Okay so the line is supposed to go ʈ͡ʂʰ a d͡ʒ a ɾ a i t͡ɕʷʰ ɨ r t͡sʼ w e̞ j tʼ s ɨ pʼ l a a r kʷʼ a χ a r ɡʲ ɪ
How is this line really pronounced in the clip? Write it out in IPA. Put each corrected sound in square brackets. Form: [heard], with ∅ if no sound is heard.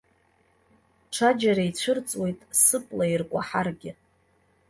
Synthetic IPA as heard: ʈ͡ʂʰ a d͡ʒ a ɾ a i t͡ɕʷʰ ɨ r t͡sʼ w e̞ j tʼ s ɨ pʼ l a [i] r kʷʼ a [ħ] a r ɡʲ ɪ